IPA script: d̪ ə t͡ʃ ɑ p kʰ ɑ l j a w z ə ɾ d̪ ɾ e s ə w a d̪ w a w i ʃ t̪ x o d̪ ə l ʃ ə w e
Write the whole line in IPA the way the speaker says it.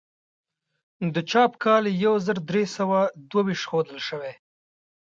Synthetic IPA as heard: d̪ ə t͡ʃ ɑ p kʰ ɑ l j a w z ə ɾ d̪ ɾ e s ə w a d̪ w a w i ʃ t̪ x o d̪ ə l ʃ ə w e